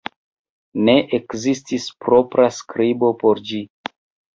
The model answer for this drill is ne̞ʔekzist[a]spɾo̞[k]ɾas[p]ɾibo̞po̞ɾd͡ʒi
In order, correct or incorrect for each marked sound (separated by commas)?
incorrect, incorrect, incorrect